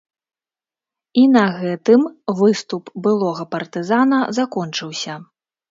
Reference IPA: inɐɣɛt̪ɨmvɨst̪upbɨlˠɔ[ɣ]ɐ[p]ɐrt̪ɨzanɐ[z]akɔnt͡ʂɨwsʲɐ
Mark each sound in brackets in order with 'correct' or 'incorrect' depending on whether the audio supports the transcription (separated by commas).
correct, correct, correct